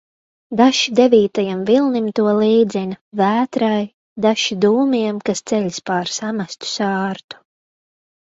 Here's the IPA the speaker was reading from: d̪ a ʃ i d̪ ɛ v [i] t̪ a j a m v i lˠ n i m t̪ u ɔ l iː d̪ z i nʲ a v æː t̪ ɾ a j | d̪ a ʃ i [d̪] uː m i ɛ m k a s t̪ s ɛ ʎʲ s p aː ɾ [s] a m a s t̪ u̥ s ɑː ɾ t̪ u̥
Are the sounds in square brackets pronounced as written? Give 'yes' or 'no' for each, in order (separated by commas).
no, yes, yes